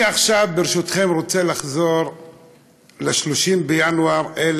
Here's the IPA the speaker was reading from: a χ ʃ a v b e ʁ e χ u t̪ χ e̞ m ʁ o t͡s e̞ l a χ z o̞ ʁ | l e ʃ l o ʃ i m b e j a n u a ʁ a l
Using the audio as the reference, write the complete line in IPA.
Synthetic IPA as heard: a χ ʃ a v b e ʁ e ʃ u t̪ χ e̞ m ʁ o t͡s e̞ l a χ z o̞ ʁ | l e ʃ l o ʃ i m b e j a n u a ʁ e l